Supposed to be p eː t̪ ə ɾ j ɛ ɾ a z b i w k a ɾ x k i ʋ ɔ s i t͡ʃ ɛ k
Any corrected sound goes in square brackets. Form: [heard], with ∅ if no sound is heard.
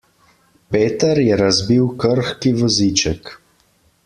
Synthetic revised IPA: p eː t̪ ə ɾ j ɛ ɾ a z b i w k [ə] ɾ x k i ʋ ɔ [z] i t͡ʃ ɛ k